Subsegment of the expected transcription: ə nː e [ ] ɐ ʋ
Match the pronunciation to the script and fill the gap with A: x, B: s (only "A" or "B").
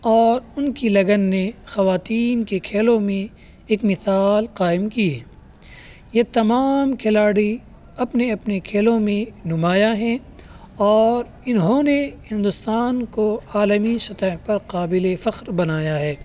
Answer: A